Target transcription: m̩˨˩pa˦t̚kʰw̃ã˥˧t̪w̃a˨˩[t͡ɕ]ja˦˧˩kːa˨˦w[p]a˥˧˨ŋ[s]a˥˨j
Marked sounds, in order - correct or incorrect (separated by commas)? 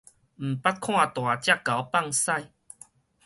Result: correct, correct, correct